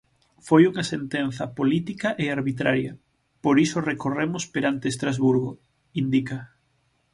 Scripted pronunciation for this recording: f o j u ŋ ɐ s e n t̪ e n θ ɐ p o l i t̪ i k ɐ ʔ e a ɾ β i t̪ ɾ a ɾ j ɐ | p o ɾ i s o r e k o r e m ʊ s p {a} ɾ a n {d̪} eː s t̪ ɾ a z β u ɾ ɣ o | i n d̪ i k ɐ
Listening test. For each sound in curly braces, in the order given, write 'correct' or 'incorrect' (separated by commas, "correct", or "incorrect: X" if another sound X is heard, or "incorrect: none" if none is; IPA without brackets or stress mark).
incorrect: e, incorrect: t̪